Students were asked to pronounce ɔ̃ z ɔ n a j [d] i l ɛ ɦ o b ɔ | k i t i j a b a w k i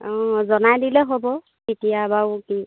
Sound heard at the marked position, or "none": d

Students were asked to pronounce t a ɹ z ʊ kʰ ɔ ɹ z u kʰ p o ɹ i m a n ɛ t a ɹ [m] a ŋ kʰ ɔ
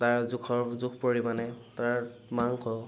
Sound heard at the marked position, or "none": m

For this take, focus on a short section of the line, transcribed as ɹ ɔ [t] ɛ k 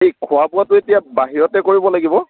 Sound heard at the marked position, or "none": t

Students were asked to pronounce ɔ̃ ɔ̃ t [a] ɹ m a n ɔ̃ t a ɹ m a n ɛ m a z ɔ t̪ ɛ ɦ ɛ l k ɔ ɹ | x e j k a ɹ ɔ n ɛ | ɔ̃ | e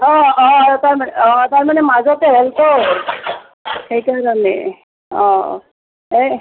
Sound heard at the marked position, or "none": a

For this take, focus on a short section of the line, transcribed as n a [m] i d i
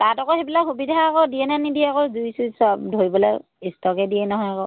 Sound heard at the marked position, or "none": n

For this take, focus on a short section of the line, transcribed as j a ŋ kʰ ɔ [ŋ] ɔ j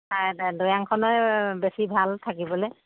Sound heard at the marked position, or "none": n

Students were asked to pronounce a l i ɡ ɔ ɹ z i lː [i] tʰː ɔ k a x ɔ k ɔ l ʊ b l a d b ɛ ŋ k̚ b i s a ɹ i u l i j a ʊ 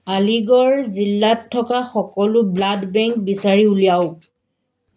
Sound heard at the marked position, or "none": a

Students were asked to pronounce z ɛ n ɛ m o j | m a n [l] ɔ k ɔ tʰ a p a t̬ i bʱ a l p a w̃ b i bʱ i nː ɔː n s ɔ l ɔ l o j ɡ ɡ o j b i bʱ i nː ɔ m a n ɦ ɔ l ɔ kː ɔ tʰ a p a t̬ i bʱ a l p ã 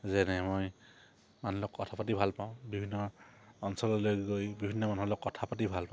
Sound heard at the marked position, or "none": l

